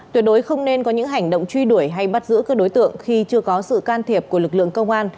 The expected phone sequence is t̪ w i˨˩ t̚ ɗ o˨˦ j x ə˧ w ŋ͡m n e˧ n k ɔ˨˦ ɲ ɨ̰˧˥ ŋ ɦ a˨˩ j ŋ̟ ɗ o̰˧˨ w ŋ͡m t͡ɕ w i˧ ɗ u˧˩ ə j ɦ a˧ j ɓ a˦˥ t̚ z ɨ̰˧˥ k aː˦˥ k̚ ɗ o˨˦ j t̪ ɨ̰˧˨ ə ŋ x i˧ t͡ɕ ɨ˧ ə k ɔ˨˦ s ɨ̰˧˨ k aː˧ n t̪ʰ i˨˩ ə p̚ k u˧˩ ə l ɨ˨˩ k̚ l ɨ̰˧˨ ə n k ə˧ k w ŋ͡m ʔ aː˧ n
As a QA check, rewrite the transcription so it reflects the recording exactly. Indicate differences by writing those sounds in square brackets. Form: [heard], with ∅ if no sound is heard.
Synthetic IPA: t̪ w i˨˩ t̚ ɗ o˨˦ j x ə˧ w ŋ͡m n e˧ n k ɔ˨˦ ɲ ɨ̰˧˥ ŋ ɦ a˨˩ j ŋ̟ ɗ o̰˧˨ w ŋ͡m t͡ɕ w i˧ ɗ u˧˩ ə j ɦ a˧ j ɓ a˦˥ t̚ z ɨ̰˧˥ k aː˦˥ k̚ ɗ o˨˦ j t̪ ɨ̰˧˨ ə ŋ x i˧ t͡ɕ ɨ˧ ə k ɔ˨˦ s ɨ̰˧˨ k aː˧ n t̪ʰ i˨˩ ə p̚ k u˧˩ ə l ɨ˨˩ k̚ l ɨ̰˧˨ ə [ŋ] k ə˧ [∅] w ŋ͡m ʔ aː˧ n